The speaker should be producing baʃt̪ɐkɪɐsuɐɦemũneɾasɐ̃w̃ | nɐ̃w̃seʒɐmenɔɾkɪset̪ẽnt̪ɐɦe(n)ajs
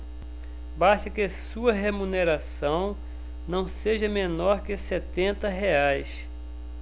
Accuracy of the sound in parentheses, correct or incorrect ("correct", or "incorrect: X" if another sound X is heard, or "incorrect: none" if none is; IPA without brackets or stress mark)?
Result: incorrect: none